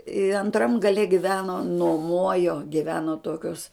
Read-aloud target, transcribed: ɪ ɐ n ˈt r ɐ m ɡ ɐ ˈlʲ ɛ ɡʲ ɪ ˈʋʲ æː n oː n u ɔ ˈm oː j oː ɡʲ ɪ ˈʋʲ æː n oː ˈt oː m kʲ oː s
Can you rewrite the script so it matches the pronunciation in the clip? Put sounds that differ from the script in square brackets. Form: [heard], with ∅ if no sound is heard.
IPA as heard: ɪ ɐ n ˈt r ɐ m ɡ ɐ ˈlʲ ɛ ɡʲ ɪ ˈʋʲ æː n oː n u ɔ ˈm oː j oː ɡʲ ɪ ˈʋʲ æː n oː ˈt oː [∅] kʲ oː s